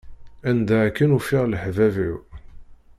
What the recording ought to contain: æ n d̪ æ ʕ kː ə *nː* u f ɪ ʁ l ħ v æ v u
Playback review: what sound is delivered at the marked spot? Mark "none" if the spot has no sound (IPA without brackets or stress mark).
n